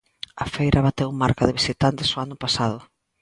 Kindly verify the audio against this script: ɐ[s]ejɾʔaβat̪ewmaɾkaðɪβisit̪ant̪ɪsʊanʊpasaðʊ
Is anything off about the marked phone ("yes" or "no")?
yes